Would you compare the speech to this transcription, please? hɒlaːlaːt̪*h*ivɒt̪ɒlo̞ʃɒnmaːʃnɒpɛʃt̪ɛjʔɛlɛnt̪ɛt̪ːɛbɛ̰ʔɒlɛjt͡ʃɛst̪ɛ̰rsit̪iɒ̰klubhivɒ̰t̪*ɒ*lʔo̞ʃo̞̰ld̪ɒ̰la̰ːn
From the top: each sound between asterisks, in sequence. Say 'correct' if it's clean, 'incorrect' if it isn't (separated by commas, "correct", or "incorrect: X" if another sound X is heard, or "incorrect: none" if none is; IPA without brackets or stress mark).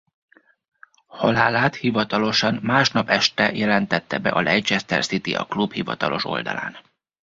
correct, correct